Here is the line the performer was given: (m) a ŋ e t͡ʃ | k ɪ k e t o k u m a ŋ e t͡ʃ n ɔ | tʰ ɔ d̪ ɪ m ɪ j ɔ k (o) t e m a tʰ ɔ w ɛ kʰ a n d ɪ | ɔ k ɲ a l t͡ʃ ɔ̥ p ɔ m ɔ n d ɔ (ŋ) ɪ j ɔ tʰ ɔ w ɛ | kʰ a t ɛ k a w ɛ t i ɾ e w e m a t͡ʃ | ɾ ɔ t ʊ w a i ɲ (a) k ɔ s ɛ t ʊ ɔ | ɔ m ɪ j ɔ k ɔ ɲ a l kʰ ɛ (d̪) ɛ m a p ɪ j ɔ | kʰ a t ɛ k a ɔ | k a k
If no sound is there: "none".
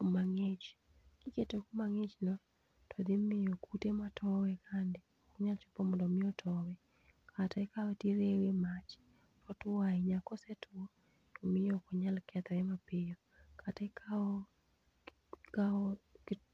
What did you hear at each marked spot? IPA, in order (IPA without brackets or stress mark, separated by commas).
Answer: m, u, m, a, t̪